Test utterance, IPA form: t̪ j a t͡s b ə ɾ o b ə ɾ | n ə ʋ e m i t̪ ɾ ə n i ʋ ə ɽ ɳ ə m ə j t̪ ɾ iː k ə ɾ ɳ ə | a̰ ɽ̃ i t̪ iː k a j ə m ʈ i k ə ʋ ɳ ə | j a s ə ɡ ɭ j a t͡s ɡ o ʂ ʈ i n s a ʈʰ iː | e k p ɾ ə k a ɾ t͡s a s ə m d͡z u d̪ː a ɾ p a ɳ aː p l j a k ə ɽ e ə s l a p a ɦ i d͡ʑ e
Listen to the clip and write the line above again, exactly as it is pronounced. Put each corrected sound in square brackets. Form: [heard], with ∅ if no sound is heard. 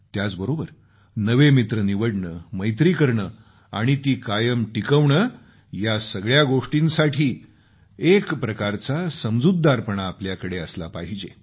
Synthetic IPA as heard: t̪ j a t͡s b ə ɾ o b ə ɾ | n ə ʋ e m i t̪ ɾ ə n i ʋ ə ɽ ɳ ə m ə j t̪ ɾ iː k ə ɾ ɳ ə | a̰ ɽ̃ i t̪ iː k a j ə m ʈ i k ə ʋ ɳ ə | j a s ə ɡ ɭ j a [∅] ɡ o ʂ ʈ i n s a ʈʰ iː | e k p ɾ ə k a ɾ t͡s a s ə m d͡z u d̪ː a ɾ p [ə] ɳ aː p l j a k ə ɽ e ə s l a p a ɦ i d͡ʑ e